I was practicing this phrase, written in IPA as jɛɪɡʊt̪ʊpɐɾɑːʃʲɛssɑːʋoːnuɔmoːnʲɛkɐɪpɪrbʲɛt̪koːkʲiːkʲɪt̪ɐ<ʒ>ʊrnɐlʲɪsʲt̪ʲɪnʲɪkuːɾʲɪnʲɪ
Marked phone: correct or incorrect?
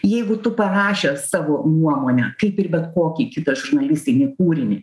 correct